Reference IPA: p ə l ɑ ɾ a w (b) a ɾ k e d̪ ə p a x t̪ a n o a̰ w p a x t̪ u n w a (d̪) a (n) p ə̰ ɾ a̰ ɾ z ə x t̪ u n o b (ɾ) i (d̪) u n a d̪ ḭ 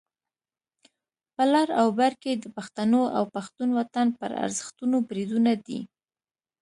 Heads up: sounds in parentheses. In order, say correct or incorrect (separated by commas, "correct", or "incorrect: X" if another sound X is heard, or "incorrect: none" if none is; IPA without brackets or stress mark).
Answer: correct, incorrect: t̪, correct, correct, correct